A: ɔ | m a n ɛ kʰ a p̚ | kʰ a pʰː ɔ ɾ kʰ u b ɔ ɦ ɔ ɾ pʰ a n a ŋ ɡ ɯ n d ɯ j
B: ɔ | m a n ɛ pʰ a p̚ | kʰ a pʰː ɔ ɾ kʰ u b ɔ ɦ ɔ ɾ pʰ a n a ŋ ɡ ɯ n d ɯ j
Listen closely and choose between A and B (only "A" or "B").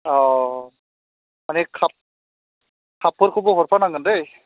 A